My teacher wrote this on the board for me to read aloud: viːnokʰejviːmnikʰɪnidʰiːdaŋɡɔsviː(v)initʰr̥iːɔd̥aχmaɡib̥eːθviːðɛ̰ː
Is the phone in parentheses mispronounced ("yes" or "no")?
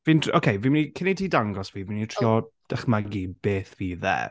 no